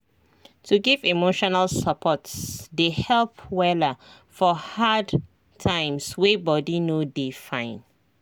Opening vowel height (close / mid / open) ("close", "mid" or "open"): close